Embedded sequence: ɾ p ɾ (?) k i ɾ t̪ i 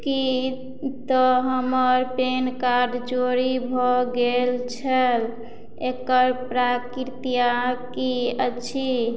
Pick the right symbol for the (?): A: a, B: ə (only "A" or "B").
A